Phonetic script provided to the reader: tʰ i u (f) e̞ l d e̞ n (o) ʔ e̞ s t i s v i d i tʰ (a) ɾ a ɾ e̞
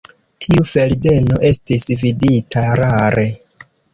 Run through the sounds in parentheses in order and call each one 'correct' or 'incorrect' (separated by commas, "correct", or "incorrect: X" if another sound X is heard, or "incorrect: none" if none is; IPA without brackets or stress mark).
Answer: correct, correct, correct